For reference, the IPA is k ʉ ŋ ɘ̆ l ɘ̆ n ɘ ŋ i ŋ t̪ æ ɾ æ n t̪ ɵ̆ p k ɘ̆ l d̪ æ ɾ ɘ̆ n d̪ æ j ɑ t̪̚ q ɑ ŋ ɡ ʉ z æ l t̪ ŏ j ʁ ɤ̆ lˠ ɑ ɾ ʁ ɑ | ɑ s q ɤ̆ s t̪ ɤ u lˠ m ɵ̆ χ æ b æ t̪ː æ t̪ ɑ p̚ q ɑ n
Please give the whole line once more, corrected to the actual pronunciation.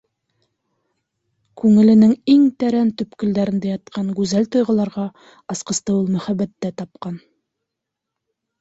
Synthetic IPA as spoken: k ʉ ŋ ɘ̆ l ɘ̆ n ɘ ŋ i ŋ t̪ æ ɾ æ n t̪ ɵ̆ p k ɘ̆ l d̪ æ ɾ ɘ̆ n d̪ æ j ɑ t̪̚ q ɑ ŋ ɡ ʉ z æ l t̪ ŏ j ʁ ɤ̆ lˠ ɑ ɾ ʁ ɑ | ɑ s q ɤ̆ s t̪ ɤ u lˠ m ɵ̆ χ æ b æ t̪ː æ t̪ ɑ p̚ q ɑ n